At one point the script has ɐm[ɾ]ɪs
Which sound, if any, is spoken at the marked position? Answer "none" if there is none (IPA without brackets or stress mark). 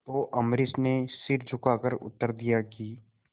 ɾ